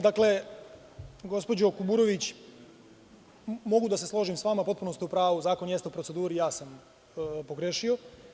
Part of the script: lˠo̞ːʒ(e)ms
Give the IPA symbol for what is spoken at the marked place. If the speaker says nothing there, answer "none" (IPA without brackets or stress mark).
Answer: i